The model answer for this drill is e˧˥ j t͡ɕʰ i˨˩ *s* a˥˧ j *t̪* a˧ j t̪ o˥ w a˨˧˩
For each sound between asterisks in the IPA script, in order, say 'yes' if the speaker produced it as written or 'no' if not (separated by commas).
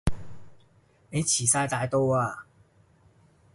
yes, yes